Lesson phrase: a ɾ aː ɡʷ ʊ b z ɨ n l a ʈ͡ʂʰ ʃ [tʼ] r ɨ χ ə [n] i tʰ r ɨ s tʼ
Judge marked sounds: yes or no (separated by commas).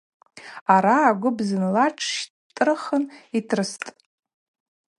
yes, yes